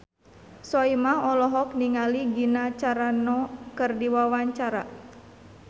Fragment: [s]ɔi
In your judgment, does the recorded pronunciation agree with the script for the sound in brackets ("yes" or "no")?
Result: yes